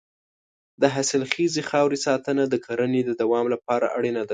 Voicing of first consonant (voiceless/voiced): voiced